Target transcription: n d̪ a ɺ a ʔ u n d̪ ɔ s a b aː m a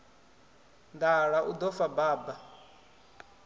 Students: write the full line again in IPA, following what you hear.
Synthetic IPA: n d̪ a ɺ a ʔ u d̪ ɔ f a b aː b a